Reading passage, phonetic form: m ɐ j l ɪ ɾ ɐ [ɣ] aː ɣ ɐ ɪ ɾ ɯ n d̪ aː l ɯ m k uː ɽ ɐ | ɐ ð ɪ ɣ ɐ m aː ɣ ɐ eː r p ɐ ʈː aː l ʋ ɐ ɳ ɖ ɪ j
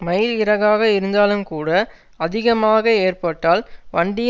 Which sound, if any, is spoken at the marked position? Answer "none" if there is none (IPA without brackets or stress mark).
ɣ